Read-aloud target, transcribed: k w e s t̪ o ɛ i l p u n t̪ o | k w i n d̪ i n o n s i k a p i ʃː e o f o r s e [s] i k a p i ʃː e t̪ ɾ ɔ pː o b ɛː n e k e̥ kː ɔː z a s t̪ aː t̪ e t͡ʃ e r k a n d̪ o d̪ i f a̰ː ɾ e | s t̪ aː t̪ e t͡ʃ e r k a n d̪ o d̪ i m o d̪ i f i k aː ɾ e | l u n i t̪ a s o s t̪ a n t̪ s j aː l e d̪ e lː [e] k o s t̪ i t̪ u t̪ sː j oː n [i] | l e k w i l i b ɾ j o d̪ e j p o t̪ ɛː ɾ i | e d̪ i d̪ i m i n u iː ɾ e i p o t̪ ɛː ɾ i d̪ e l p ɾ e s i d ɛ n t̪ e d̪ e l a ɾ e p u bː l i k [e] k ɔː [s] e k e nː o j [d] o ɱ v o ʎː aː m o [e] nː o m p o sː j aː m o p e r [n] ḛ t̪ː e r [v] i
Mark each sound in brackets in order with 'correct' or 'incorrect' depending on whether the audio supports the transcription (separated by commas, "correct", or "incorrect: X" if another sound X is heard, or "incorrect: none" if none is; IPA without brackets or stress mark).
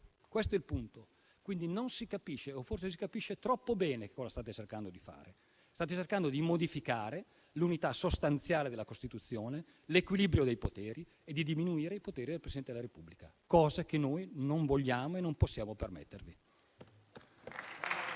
correct, incorrect: a, incorrect: e, incorrect: a, incorrect: z, incorrect: n, correct, incorrect: m, correct